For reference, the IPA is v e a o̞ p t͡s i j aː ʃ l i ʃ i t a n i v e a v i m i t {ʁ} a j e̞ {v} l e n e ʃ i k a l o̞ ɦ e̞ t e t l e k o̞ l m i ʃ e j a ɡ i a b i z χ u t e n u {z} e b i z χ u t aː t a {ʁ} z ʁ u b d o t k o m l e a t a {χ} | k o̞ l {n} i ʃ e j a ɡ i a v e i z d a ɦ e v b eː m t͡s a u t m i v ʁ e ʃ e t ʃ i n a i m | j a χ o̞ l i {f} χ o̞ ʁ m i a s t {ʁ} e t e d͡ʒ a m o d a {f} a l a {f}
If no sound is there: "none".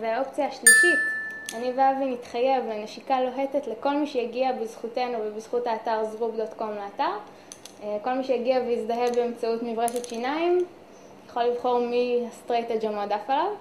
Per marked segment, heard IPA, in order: χ, v, v, ʁ, ʁ, m, v, ʁ, f, v

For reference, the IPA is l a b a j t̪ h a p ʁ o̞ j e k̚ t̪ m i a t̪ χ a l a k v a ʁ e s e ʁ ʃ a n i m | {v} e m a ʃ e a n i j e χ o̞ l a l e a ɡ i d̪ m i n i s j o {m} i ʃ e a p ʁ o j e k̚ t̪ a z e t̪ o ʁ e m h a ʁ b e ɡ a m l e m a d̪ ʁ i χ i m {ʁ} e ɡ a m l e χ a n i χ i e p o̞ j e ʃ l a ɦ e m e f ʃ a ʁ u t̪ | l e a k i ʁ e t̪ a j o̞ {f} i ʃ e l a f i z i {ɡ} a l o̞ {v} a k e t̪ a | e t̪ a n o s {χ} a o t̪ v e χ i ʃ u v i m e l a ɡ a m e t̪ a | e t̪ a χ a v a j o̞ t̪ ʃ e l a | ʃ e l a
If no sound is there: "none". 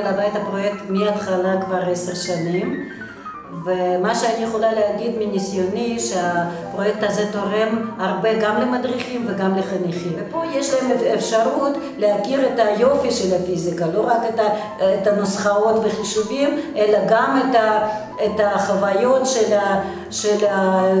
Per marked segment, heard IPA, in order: v, n, v, f, k, ʁ, χ

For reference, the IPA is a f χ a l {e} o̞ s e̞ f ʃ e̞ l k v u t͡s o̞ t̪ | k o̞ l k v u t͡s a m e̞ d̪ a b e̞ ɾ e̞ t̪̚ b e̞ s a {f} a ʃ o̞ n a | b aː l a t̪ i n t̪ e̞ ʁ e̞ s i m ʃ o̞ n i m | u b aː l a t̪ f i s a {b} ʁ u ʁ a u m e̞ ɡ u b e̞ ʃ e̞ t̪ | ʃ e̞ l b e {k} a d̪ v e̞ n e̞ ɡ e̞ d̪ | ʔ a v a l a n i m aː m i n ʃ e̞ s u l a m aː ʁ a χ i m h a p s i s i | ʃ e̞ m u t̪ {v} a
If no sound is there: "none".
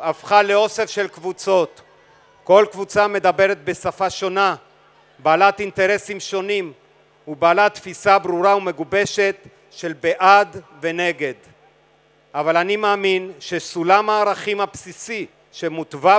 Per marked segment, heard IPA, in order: e, f, b, ʔ, v

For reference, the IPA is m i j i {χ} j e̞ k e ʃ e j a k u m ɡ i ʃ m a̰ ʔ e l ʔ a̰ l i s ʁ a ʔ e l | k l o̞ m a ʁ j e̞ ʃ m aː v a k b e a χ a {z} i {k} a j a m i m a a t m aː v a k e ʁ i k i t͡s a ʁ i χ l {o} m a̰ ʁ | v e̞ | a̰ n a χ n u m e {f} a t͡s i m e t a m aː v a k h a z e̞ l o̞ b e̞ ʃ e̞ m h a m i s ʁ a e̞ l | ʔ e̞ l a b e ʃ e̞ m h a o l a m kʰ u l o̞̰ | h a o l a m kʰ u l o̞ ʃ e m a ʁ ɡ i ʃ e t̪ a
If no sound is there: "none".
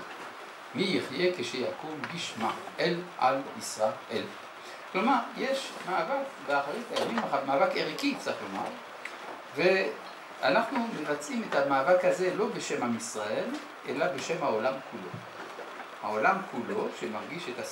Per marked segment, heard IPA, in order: χ, ʁ, t, o, v

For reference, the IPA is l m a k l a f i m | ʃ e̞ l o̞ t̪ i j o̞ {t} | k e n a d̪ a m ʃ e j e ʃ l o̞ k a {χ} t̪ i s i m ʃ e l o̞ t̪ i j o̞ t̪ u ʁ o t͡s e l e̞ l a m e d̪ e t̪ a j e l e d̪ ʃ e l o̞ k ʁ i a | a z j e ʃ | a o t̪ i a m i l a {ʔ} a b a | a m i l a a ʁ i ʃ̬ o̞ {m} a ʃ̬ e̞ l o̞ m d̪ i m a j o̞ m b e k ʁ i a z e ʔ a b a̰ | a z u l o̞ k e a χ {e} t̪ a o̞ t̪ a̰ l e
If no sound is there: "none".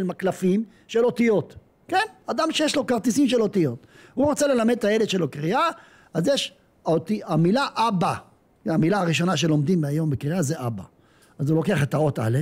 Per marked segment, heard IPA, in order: t, ʁ, ʔ, n, e

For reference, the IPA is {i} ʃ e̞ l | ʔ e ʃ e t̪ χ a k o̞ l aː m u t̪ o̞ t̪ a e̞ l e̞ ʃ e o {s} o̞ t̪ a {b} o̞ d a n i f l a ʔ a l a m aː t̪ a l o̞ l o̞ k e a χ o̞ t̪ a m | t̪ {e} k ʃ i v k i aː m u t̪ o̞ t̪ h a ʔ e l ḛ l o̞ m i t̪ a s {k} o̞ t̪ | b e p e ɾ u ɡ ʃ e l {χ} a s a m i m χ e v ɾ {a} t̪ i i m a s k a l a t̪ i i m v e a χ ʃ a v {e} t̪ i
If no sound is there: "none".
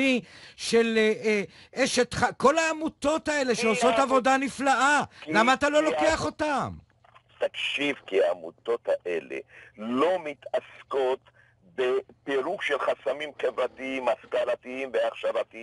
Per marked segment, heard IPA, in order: i, s, v, a, k, χ, a, a

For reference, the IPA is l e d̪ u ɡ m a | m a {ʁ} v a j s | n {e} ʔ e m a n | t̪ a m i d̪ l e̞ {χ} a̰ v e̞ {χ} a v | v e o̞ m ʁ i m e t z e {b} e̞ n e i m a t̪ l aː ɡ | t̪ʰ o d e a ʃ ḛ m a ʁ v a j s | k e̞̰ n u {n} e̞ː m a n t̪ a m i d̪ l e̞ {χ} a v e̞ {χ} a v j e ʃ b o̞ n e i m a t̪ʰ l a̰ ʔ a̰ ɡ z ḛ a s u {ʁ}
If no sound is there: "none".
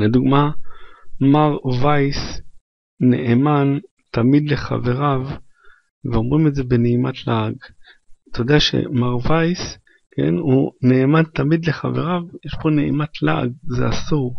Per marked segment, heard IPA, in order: ʁ, e, χ, ʁ, b, n, χ, ʁ, ʁ

